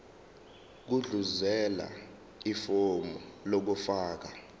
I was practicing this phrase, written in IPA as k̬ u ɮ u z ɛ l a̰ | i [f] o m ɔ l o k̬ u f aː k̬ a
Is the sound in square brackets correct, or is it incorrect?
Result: correct